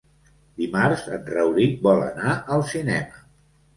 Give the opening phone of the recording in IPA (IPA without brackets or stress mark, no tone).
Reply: d̪